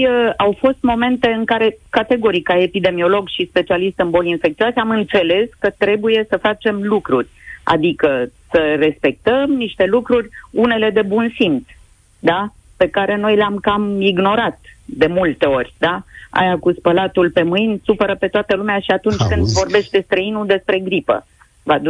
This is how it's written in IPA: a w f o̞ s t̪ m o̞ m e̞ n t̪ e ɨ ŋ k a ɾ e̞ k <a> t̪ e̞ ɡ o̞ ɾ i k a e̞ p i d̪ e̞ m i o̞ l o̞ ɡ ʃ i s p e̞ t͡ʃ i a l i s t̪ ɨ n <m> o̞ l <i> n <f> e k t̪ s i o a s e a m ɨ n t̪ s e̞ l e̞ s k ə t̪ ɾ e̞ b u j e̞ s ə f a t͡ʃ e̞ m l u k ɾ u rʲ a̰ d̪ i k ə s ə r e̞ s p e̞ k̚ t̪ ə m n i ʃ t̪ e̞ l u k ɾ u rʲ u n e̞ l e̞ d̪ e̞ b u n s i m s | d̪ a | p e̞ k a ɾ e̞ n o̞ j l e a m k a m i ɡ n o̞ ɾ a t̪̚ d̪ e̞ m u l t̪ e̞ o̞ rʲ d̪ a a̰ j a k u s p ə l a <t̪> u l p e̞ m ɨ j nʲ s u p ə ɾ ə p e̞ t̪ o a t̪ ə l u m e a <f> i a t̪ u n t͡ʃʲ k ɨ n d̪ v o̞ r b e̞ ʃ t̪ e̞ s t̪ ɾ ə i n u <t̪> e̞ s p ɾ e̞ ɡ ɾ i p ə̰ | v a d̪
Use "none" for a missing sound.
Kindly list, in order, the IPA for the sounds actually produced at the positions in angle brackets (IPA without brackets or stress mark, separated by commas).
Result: a, b, i, f, t̪, ʃ, d̪